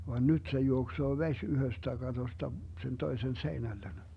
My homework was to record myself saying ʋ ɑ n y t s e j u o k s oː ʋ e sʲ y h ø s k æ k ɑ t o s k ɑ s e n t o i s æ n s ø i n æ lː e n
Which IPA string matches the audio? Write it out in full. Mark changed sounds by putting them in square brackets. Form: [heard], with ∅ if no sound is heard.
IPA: ʋ ɑ n y t s e j u o k s oː ʋ e sʲ y h ø s [t] æ k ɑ t o s [t] ɑ s e n t o i s [e] n s [e] i n æ lː e n